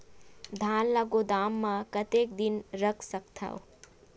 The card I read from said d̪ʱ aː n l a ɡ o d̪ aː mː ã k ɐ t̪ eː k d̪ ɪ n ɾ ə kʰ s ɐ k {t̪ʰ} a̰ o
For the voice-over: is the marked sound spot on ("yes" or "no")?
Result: yes